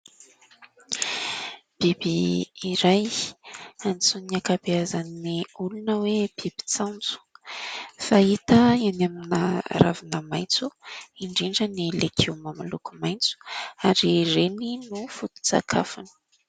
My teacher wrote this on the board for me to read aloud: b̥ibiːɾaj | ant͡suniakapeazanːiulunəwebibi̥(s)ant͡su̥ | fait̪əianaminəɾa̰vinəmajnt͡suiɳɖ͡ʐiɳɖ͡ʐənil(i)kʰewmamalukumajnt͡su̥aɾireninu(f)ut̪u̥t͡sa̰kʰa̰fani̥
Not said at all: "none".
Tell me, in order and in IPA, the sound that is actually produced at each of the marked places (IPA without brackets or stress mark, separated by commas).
t͡s, e, f